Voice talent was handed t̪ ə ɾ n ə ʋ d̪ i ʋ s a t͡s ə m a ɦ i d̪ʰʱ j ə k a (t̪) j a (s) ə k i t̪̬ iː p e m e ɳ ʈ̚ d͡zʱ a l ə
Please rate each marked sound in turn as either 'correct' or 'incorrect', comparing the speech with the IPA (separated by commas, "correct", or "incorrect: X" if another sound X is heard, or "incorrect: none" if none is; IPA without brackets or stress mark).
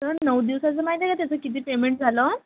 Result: correct, incorrect: t͡s